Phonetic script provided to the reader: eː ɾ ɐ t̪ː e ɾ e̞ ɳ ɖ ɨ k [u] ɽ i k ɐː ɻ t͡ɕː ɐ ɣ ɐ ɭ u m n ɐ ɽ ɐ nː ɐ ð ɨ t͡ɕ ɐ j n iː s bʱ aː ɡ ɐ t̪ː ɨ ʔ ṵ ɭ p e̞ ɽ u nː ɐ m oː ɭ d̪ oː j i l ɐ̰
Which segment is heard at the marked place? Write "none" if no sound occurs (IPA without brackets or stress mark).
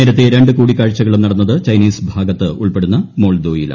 uː